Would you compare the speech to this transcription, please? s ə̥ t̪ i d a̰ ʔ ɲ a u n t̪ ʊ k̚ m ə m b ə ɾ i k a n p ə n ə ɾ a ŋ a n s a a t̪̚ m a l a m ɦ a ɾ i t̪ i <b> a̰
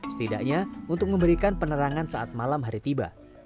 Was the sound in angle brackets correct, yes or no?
yes